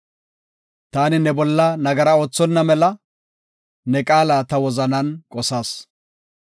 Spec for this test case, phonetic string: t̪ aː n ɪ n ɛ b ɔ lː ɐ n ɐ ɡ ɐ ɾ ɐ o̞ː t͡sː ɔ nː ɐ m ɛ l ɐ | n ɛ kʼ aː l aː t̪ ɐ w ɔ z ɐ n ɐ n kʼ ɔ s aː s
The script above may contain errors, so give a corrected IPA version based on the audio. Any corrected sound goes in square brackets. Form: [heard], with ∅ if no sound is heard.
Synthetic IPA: t̪ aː n ɪ n ɛ b ɔ lː ɐ n ɐ ɡ ɐ ɾ ɐ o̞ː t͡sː ɔ nː ɐ m ɛ l ɐ | n ɛ kʼ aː l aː t̪ ɐ w ɔ z ɐ n ɐ n kʼ ɔ s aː s

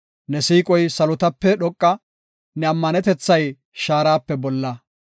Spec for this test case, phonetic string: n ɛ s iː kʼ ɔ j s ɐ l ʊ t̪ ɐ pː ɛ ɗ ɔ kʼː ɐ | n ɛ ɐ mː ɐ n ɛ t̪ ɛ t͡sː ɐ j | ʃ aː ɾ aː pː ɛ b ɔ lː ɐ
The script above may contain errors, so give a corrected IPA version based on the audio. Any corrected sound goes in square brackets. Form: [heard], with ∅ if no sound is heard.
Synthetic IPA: n ɛ s iː kʼ ɔ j s ɐ l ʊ t̪ ɐ pː ɛ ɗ ɔ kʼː ɐ | n ɛ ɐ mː ɐ n ɛ t̪ ɛ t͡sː ɐ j | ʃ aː ɾ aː pː ɛ b ɔ lː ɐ

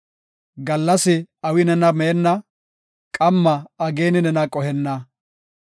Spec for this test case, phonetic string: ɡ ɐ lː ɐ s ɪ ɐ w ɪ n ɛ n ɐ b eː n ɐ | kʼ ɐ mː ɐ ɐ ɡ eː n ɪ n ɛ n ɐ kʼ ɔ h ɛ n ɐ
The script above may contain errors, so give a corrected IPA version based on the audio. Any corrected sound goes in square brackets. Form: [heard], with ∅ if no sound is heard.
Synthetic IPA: ɡ ɐ lː ɐ s ɪ ɐ w ɪ n ɛ n ɐ [m] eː [nː] ɐ | kʼ ɐ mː ɐ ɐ ɡ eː n ɪ n ɛ n ɐ kʼ ɔ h ɛ [nː] ɐ

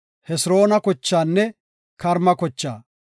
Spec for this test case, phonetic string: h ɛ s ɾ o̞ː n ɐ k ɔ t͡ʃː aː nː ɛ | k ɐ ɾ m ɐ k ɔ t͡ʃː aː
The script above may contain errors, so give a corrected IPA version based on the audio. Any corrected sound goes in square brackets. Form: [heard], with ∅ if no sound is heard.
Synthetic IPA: h ɛ s ɾ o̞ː n ɐ k ɔ t͡ʃː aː nː ɛ | k ɐ ɾ m ɐ k ɔ t͡ʃː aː

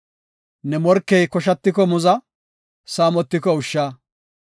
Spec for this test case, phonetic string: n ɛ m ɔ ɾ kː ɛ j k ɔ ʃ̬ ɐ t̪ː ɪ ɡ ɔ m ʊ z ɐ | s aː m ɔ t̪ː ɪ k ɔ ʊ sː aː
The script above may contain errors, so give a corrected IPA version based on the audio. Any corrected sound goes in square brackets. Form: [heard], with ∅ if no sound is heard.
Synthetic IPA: n ɛ m ɔ ɾ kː ɛ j k ɔ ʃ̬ ɐ t̪ː ɪ [k] ɔ m ʊ z ɐ | s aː m ɔ t̪ː ɪ k ɔ ʊ [ʃː] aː

